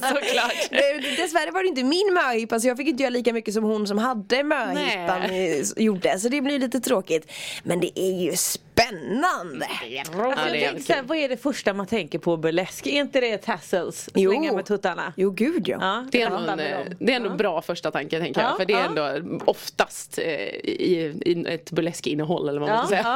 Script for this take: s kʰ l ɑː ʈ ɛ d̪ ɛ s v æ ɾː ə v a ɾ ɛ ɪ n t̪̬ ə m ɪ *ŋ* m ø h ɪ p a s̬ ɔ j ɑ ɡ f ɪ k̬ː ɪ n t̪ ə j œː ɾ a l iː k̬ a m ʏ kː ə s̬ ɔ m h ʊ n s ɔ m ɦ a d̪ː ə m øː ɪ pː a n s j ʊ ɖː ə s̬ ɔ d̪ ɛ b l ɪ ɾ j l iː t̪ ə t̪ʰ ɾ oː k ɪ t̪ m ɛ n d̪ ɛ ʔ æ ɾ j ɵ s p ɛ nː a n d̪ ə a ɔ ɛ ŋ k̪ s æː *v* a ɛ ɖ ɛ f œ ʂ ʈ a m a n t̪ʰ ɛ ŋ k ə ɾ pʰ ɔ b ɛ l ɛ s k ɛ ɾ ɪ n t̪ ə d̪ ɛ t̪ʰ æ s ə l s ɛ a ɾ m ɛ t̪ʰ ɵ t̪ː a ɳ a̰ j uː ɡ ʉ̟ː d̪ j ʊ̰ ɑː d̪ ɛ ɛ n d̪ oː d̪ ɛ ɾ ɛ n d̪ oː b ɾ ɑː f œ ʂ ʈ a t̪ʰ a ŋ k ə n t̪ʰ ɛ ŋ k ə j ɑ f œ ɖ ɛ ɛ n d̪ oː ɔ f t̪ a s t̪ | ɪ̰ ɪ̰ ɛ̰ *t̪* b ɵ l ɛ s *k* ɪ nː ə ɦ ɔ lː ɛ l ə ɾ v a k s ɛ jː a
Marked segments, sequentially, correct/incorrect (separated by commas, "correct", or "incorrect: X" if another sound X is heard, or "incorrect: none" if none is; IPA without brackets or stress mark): incorrect: n, correct, correct, correct